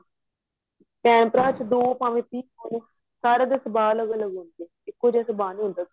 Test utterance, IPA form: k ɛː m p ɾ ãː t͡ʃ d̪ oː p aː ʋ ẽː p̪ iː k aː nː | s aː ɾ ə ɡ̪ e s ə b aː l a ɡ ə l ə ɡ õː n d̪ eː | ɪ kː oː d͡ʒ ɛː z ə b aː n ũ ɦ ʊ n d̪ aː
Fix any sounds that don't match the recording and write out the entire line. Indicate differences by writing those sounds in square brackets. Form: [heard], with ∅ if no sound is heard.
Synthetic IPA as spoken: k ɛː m p ɾ [aː] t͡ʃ d̪ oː p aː ʋ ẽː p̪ iː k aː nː | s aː ɾ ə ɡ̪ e s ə b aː l [ə] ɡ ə l ə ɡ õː n d̪ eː | ɪ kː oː d͡ʒ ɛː [s] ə b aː n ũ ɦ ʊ n d̪ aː